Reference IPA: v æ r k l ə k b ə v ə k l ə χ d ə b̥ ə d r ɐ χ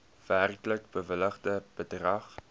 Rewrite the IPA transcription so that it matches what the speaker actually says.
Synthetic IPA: v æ r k l ə k b ə v ə l ə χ d ə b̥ ə d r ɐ χ